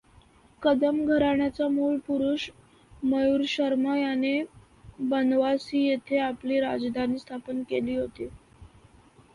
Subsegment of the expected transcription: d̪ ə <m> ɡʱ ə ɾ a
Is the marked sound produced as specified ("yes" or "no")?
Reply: yes